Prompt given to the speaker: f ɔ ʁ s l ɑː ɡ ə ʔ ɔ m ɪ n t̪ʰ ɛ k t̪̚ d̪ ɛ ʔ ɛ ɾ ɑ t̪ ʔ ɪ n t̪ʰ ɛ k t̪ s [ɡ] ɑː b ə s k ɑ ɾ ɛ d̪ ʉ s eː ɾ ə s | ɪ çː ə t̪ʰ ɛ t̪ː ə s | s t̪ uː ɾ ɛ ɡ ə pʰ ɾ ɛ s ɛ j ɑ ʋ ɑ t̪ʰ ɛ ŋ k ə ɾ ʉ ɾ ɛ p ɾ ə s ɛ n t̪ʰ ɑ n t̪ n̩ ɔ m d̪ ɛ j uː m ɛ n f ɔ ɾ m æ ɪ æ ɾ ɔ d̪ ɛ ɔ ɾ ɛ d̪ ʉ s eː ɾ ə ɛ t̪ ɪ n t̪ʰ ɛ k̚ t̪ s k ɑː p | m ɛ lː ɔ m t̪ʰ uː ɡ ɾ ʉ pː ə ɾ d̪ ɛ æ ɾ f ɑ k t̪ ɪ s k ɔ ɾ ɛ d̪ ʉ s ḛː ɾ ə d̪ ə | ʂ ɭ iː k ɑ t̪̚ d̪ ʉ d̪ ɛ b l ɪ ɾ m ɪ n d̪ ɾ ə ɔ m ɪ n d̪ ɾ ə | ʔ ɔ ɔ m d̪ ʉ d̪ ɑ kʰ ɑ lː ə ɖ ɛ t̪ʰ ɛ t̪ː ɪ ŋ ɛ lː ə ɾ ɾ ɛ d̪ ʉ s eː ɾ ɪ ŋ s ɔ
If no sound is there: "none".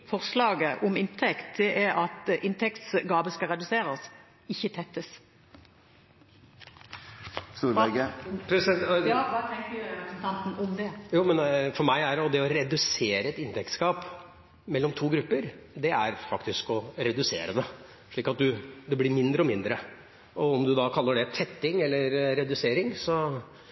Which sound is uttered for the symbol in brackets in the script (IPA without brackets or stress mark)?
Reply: ɡ